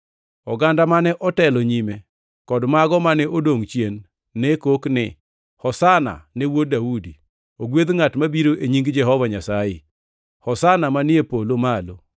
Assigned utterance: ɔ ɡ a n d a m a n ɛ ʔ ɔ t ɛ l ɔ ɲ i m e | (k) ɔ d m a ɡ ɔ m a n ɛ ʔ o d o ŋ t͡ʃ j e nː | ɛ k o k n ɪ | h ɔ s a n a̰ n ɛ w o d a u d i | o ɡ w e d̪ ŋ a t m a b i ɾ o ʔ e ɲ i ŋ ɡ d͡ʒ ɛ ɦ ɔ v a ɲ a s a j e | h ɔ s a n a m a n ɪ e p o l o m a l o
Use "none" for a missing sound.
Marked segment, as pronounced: k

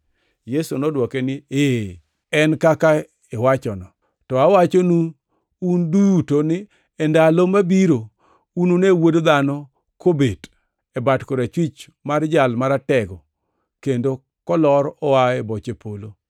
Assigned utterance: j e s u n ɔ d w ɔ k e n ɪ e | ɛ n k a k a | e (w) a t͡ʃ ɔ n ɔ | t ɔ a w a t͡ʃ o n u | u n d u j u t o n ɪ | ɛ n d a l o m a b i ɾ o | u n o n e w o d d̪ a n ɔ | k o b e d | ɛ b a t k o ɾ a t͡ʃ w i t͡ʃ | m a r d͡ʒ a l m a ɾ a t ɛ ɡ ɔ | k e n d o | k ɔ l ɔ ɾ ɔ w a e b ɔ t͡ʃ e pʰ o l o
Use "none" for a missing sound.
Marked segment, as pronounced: w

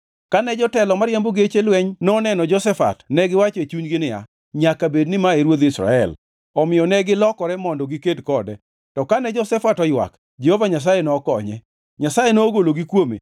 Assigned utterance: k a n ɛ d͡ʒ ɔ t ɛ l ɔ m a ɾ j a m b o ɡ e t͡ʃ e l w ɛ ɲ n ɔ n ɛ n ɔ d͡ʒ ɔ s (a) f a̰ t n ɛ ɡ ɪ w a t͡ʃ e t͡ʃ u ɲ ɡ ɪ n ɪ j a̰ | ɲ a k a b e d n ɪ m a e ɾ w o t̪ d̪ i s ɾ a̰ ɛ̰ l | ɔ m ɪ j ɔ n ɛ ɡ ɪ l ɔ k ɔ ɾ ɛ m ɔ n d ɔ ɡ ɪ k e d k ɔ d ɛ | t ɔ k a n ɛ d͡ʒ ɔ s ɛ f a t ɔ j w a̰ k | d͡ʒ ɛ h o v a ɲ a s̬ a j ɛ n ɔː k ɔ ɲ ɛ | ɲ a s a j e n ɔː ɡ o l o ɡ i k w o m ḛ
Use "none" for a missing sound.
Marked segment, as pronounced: ɛ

